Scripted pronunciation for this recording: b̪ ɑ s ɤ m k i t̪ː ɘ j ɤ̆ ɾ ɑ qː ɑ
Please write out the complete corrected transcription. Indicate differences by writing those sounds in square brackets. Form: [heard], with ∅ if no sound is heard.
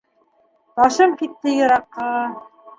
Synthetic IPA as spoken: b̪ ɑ [ʃ] ɤ m k i t̪ː ɘ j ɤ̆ ɾ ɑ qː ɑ